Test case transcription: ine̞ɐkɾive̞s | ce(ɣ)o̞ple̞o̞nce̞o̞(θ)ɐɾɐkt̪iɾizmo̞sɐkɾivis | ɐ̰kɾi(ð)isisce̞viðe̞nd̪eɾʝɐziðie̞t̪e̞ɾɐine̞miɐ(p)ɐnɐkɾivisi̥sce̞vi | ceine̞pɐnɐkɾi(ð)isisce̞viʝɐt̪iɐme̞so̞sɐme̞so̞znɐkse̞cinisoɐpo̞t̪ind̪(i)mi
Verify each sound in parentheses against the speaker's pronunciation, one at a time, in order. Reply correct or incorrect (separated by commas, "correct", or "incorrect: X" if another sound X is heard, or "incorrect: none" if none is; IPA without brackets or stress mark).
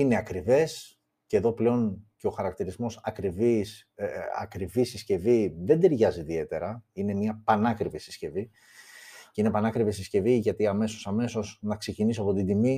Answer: incorrect: ð, incorrect: x, incorrect: v, correct, incorrect: v, correct